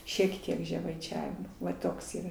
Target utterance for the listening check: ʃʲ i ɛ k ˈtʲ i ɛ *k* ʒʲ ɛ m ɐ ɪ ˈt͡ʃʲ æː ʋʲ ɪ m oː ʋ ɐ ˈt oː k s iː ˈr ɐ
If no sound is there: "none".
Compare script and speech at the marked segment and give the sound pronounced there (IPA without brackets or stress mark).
k